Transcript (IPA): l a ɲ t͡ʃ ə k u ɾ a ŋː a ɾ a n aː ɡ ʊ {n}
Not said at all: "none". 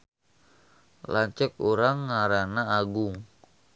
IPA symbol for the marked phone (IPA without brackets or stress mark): ŋ